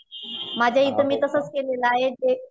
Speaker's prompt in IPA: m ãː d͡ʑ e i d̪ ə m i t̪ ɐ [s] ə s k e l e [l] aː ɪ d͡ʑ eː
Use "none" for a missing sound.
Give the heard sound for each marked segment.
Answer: s, l

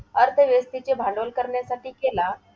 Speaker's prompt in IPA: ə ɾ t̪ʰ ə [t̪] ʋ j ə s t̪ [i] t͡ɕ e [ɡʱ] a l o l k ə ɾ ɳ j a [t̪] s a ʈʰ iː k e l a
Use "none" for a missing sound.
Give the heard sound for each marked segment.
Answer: none, i, bʱ, none

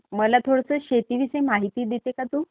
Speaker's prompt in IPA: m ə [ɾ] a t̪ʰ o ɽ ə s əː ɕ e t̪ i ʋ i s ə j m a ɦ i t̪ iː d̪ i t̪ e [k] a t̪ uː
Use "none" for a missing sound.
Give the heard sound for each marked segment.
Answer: l, k

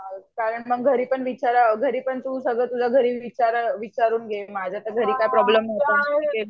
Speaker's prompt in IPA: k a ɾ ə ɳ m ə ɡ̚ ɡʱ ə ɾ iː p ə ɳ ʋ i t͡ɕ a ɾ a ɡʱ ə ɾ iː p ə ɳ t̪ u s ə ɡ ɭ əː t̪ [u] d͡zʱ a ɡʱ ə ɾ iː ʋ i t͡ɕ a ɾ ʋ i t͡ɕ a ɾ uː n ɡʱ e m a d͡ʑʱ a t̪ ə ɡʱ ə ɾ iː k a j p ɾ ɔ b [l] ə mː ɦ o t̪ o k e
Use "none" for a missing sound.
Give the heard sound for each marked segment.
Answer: u, l

